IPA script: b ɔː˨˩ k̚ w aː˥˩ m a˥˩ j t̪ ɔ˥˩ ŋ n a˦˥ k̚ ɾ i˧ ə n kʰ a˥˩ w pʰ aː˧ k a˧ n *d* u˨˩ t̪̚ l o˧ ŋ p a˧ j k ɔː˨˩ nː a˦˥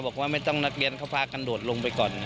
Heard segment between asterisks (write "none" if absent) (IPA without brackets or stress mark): d